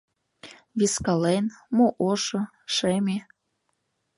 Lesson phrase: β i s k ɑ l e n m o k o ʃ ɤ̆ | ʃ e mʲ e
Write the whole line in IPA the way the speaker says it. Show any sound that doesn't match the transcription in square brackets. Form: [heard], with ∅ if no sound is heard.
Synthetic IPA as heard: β i s k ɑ l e n m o [ʔ] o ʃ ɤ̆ | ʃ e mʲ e